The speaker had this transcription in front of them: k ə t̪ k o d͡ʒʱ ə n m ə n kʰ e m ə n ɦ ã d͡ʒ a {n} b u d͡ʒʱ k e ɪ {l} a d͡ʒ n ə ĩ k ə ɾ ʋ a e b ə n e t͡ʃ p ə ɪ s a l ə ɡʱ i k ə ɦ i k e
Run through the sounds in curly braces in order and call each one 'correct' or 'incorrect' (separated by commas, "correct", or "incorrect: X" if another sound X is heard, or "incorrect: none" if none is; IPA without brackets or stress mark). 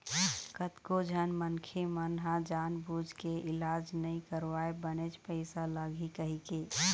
correct, correct